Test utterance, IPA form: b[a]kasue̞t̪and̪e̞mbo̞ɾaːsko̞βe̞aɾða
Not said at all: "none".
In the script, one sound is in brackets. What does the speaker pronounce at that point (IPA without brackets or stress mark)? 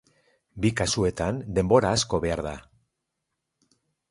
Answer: i